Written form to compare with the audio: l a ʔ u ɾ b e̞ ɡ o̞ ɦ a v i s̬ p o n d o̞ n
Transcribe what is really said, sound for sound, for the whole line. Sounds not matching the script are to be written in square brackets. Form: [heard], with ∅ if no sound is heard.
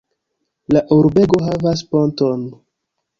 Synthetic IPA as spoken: l a ʔ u ɾ b e̞ ɡ o̞ ɦ a v [a] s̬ p o n [t] o̞ n

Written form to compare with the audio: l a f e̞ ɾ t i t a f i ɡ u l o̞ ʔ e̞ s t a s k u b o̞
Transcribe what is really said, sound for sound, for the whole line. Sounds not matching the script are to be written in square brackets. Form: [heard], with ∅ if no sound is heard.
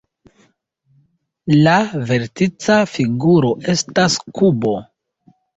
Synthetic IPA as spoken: l a [v] e̞ ɾ t i [t͡s] a f i ɡ u [ɾ] o̞ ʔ e̞ s t a s k u b o̞

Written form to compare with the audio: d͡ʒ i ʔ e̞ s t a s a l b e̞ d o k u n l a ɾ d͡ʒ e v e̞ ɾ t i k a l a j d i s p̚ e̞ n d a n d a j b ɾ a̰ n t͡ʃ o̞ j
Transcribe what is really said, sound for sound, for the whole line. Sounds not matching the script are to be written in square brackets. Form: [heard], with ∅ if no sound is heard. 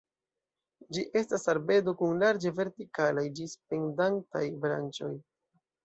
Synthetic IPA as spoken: d͡ʒ i ʔ e̞ s t a s a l b e̞ d o k u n l a ɾ d͡ʒ e v e̞ ɾ t i k a l a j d i s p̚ e̞ n d a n [t] a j b ɾ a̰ n t͡ʃ o̞ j

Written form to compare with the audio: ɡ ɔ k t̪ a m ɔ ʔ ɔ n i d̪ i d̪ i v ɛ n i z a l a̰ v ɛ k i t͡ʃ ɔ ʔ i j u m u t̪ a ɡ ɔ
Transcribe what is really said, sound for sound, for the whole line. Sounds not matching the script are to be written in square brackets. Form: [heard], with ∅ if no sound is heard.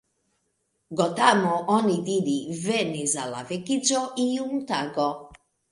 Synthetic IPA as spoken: ɡ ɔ [∅] t̪ a m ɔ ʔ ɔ n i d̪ i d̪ i v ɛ n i z a l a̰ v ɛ k i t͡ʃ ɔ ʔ i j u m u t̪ a ɡ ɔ

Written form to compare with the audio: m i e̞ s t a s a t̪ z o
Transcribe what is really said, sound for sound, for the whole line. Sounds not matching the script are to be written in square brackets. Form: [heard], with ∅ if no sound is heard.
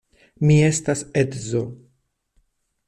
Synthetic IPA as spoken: m i e̞ s t a s [e] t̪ z o

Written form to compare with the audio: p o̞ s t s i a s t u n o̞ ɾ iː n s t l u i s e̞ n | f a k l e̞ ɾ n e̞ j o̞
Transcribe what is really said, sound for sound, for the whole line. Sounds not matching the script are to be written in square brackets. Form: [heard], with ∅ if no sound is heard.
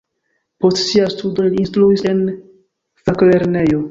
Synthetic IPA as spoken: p o̞ s t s i a s t u [d] o̞ [l] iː n s t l u i s e̞ n | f a k l e̞ ɾ n e̞ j o̞

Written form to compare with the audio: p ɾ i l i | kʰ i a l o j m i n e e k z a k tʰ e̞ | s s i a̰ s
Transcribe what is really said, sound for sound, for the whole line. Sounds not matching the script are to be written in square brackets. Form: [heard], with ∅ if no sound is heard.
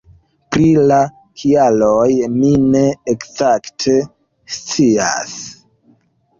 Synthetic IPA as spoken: p ɾ i l [a] | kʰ i a l o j m i n e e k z a k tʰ e̞ | s [t͡s] i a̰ s

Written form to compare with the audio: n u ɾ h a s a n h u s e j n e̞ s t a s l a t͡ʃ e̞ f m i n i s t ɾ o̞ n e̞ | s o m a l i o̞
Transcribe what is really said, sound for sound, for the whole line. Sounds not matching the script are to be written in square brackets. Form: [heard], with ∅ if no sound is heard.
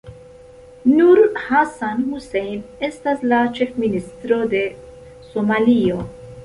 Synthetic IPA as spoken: n u ɾ h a s a n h u s e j n e̞ s t a s l a t͡ʃ e̞ f m i n i s t ɾ o̞ [d] e̞ | s o m a l i o̞

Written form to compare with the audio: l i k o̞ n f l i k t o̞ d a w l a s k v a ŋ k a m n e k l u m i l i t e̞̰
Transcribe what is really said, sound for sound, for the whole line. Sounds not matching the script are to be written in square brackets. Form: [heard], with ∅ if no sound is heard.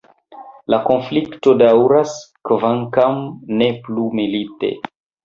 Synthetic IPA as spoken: l [a] k o̞ n f l i k t o̞ d a w [ɾ] a s k v a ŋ k a m n e [p] l u m i l i t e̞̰

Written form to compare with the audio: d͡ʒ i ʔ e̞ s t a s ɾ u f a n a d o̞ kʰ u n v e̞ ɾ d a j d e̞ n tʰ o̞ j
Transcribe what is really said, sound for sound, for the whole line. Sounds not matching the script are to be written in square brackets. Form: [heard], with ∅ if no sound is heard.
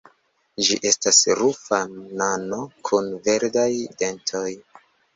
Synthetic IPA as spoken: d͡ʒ i ʔ e̞ s t a s ɾ u f a n a [n] o̞ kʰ u n v e̞ ɾ d a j d e̞ n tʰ o̞ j

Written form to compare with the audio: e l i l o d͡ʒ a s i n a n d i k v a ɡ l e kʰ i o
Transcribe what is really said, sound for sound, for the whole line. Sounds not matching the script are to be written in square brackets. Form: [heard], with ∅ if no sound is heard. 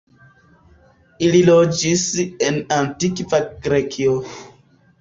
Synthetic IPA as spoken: [i] l i l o d͡ʒ [i] s [e] n a n [t] i k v a ɡ [ɾ] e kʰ i o

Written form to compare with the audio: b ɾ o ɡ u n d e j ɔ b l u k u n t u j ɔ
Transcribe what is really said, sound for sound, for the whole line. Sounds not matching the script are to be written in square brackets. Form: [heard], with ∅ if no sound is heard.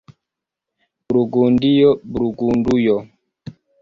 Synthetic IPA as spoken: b ɾ [u] ɡ u n d [i] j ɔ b [ɾ] u [ɡ] u n [d] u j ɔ

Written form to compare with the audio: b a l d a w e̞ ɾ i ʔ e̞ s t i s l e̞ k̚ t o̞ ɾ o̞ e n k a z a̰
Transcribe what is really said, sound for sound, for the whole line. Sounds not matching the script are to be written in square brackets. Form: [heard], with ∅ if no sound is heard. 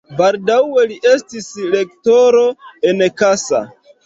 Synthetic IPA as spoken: b a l d a w e̞ [l] i ʔ e̞ s t i s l e̞ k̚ t o̞ ɾ o̞ e n k a [s] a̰

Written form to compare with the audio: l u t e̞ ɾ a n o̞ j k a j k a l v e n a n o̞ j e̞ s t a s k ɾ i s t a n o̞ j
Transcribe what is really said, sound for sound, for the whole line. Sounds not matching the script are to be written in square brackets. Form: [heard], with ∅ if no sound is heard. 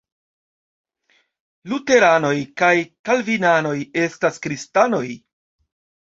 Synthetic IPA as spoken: l u t e̞ ɾ a n o̞ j k a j k a l v [i] n a n o̞ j e̞ s t a s k ɾ i s t a n o̞ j

